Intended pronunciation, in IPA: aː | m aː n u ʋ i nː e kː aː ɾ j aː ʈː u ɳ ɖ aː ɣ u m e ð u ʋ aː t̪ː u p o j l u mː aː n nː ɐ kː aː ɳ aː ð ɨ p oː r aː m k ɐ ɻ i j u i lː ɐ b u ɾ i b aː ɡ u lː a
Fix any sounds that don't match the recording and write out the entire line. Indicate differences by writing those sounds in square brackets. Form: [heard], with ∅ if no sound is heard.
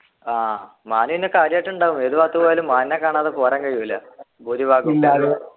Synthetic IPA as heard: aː | m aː n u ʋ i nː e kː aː ɾ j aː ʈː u ɳ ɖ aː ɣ u m e ð u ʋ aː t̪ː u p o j l u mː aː n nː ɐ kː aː ɳ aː ð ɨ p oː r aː [ŋ] k ɐ ɻ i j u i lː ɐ b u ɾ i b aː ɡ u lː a